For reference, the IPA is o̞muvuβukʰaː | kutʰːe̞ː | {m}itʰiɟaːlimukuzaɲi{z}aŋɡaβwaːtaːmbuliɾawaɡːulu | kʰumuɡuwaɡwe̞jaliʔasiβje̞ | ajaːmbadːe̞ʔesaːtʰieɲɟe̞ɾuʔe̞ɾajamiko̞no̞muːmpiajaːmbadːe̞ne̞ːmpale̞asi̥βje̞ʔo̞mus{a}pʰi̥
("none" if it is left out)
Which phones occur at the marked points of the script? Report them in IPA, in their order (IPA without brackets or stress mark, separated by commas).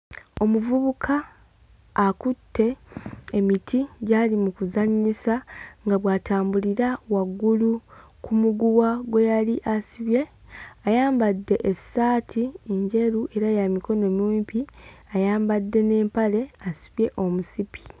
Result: m, s, i